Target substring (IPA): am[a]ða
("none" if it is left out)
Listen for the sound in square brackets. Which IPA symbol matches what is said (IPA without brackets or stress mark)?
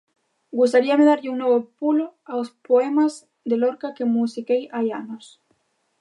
e